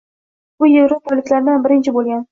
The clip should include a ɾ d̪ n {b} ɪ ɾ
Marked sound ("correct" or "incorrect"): correct